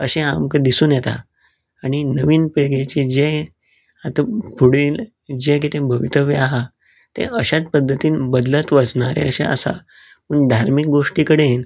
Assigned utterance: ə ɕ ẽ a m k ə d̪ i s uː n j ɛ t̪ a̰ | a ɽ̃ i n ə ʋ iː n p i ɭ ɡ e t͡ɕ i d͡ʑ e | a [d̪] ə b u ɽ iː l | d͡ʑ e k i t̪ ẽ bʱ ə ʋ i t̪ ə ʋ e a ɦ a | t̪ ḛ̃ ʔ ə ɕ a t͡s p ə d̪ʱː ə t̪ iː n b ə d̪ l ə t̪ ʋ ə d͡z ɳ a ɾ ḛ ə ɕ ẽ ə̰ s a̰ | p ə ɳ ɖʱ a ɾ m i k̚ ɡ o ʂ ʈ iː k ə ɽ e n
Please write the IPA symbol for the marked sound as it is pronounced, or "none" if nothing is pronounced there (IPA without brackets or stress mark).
t̪